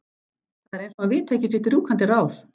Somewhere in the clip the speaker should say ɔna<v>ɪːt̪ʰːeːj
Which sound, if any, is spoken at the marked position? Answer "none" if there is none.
v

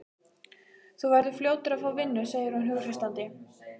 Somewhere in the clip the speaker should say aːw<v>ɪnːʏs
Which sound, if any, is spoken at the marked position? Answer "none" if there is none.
v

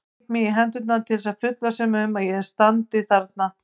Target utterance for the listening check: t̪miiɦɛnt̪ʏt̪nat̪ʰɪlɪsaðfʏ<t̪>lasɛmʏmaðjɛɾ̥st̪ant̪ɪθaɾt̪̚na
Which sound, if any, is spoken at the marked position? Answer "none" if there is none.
t̪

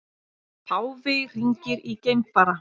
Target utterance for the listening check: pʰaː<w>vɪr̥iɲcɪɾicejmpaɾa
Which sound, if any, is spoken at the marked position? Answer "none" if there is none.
w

